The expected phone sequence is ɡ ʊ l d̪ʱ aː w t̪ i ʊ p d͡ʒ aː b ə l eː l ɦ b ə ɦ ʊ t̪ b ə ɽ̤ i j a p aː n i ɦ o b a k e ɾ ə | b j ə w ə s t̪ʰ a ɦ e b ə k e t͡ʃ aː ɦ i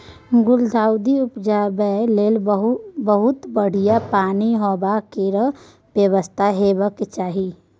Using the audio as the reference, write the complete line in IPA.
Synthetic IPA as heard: ɡ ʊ l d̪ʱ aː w d̪ i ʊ p d͡ʒ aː b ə l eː l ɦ b ə ɦ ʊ t̪ b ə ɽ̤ i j a p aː n i ɦ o b a k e ɾ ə | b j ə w ə s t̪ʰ a ɦ e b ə k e t͡ʃ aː ɦ i